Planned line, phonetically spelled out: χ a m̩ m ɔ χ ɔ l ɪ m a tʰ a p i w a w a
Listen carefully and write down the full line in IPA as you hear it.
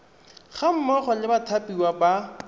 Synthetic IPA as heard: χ a m̩ m ɔ χ ɔ l ɪ b a tʰ a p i w a b a